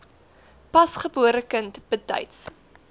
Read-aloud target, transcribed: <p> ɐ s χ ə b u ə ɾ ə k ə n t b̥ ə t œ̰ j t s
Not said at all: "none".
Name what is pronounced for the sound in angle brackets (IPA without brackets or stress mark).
p